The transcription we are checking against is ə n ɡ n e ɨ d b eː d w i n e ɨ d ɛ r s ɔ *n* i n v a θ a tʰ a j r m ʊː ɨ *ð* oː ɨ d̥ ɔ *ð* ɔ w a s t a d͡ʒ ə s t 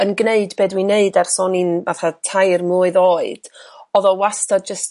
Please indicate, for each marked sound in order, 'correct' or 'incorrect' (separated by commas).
correct, correct, correct